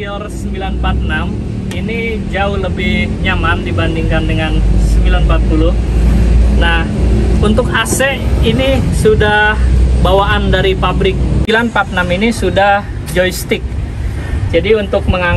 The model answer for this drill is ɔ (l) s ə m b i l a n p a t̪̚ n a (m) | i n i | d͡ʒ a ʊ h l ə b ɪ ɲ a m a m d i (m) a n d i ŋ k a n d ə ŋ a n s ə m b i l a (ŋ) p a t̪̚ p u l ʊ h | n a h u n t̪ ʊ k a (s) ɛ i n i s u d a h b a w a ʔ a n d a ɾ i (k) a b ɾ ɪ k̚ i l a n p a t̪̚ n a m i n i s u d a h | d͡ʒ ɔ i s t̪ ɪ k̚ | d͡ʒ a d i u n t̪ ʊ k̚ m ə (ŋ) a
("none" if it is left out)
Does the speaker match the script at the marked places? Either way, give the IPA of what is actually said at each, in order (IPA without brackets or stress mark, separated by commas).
r, m, b, n, s, p, ŋ